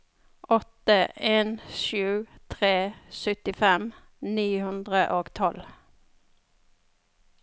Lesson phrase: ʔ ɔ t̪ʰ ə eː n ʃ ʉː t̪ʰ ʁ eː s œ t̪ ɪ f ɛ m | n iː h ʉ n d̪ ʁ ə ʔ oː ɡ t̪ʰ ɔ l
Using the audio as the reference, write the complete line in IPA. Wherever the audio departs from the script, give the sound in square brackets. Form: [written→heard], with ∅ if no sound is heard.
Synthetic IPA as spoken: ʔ ɔ [t̪ʰ→t̪] ə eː n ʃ ʉː t̪ʰ ʁ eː s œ t̪ ɪ f ɛ m | n iː h ʉ n d̪ ʁ ə ʔ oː ɡ t̪ʰ ɔ l

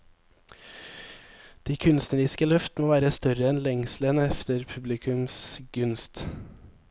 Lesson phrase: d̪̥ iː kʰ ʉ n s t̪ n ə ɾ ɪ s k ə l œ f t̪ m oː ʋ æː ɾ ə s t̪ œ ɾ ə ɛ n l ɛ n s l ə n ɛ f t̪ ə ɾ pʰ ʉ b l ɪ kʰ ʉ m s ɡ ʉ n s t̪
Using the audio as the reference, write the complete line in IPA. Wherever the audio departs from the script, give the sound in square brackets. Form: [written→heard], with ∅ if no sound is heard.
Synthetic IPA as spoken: d̪̥ iː kʰ ʉ n s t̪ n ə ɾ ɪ s k ə l œ f t̪ m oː ʋ æː ɾ ə s t̪ œ ɾ ə ɛ n l ɛ [n→ŋ] s l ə n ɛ f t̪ ə ɾ pʰ ʉ b l ɪ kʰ ʉ m s ɡ ʉ n s t̪

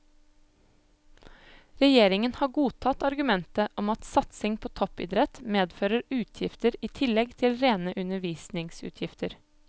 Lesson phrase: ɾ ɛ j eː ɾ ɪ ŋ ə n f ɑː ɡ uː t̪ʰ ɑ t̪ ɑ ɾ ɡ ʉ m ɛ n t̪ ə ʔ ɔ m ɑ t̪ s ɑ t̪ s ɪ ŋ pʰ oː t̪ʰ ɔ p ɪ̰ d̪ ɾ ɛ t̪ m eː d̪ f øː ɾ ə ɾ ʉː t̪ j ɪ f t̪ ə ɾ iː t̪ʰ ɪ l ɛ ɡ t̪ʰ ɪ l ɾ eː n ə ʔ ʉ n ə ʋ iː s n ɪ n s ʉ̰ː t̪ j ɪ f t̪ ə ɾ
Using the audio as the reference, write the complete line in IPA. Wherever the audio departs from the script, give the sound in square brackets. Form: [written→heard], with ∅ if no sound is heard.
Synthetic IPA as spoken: ɾ ɛ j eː ɾ ɪ ŋ ə n [f→h] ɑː ɡ uː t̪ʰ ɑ t̪ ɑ ɾ ɡ ʉ m ɛ n t̪ ə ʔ ɔ m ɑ t̪ s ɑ t̪ s ɪ ŋ pʰ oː t̪ʰ ɔ p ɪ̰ d̪ ɾ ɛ t̪ m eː d̪ f øː ɾ ə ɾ ʉː [t̪→t̪ʰ] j ɪ f t̪ ə ɾ iː t̪ʰ ɪ l ɛ ɡ t̪ʰ ɪ l ɾ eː n ə ʔ ʉ n ə ʋ iː s n ɪ [n→ŋ] s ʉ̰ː [t̪→t̪ʰ] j ɪ f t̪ ə ɾ

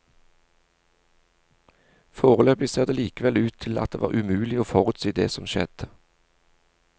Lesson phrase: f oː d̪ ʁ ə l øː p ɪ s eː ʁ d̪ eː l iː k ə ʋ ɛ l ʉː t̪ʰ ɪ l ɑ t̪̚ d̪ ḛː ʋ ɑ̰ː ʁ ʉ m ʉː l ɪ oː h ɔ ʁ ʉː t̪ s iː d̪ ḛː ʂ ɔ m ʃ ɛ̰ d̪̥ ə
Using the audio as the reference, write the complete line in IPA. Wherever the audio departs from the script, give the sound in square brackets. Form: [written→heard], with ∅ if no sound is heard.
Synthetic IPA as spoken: f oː [d̪→∅] ʁ ə l øː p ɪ s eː ʁ d̪ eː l iː k ə ʋ ɛ l ʉː t̪ʰ ɪ l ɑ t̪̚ d̪ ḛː ʋ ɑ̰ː ʁ ʉ m ʉː l ɪ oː [h→f] ɔ ʁ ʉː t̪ s iː d̪ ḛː [ʂ→s] ɔ m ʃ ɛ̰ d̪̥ ə

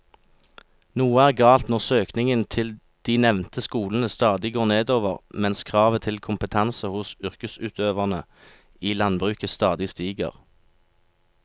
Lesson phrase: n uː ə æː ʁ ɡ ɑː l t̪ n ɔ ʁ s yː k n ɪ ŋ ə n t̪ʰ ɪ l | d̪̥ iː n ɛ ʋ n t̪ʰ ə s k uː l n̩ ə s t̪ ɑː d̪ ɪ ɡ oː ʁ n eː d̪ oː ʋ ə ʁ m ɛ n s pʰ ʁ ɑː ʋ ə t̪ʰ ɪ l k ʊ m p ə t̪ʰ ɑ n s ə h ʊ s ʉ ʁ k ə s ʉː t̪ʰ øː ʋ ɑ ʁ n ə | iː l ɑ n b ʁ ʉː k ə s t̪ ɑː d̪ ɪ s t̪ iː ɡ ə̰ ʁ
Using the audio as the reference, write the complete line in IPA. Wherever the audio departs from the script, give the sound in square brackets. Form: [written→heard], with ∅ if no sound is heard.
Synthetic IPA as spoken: n uː ə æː ʁ ɡ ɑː l t̪ n ɔ ʁ s [yː→øː] k n ɪ ŋ ə n t̪ʰ ɪ l | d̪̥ iː n ɛ ʋ n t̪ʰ ə s k uː l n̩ ə s t̪ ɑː d̪ ɪ ɡ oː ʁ n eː d̪ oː ʋ ə ʁ m ɛ n s [pʰ→kʰ] ʁ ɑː ʋ ə t̪ʰ ɪ l [k→kʰ] ʊ m p ə t̪ʰ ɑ n s ə h ʊ s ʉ ʁ k ə s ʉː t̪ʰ øː ʋ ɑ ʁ n ə | iː l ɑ n b ʁ ʉː k ə s t̪ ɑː d̪ ɪ s t̪ iː ɡ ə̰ ʁ

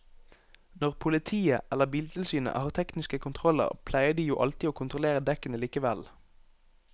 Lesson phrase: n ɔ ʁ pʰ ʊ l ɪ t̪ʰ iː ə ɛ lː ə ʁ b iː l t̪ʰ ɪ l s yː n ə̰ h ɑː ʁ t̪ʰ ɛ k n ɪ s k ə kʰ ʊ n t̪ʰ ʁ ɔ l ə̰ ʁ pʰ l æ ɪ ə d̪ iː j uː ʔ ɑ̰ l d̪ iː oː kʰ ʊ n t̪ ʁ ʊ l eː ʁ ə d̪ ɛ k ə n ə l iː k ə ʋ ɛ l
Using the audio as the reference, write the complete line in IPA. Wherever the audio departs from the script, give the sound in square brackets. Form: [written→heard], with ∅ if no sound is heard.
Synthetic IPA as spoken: n ɔ ʁ pʰ ʊ l ɪ t̪ʰ iː ə ɛ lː ə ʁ b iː l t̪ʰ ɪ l s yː n ə̰ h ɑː ʁ t̪ʰ ɛ k n ɪ s k ə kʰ ʊ n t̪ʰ ʁ ɔ l ə̰ ʁ pʰ l æ ɪ ə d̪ iː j uː ʔ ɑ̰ l [d̪→t̪] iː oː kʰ ʊ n t̪ ʁ ʊ l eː ʁ ə d̪ ɛ k ə n ə l iː k ə ʋ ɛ l

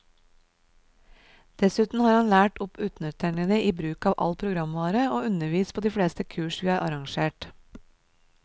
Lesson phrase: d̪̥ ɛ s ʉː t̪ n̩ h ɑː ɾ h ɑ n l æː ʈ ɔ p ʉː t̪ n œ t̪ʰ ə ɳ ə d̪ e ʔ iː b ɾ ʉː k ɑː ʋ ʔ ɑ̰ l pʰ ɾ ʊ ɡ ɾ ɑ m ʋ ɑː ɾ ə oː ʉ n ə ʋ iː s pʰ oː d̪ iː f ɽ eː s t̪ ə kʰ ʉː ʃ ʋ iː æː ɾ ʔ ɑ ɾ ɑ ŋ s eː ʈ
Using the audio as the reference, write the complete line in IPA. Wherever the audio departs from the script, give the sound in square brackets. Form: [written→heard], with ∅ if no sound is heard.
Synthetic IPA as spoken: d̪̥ ɛ s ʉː t̪ n̩ h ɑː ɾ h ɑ n l æː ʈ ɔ p ʉː t̪ n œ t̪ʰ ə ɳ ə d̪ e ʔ iː b ɾ ʉː k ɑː ʋ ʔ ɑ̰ l pʰ ɾ ʊ ɡ ɾ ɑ m ʋ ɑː ɾ ə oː ʉ n ə ʋ iː s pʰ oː d̪ iː f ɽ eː s t̪ ə kʰ ʉː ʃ ʋ iː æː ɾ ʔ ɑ ɾ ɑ ŋ [s→ʃ] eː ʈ

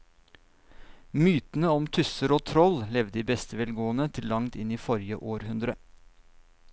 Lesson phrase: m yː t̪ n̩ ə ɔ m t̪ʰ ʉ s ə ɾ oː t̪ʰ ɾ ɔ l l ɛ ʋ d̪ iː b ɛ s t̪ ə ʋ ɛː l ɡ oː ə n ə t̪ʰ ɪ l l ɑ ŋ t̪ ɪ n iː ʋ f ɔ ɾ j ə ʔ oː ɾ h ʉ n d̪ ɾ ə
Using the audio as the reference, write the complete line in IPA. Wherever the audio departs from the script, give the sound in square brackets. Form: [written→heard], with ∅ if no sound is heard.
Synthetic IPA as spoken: m yː t̪ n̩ ə ɔ m t̪ʰ ʉ s ə ɾ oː t̪ʰ ɾ ɔ l l ɛ ʋ d̪ iː b ɛ s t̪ ə ʋ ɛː l ɡ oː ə n ə t̪ʰ ɪ l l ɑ ŋ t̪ ɪ n iː [ʋ→∅] f ɔ ɾ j ə ʔ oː ɾ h ʉ n d̪ ɾ ə

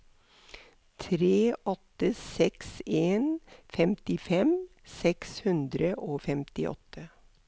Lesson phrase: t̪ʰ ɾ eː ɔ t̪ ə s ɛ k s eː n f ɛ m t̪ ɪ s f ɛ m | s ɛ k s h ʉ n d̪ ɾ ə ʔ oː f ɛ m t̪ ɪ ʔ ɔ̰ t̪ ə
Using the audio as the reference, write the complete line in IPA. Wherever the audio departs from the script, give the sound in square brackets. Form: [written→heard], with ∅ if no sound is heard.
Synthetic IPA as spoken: t̪ʰ ɾ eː ɔ t̪ ə s ɛ k s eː n f ɛ m t̪ ɪ [s→∅] f ɛ m | s ɛ k s h ʉ n d̪ ɾ ə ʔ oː f ɛ m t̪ ɪ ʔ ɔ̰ t̪ ə

